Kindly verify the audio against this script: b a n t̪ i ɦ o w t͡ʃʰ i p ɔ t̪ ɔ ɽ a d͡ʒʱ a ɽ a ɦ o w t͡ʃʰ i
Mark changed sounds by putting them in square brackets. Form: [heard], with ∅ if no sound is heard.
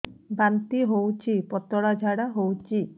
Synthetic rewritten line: b a n t̪ i ɦ o w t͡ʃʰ i p ɔ t̪ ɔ ɽ a d͡ʒʱ a ɽ a ɦ o w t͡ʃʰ i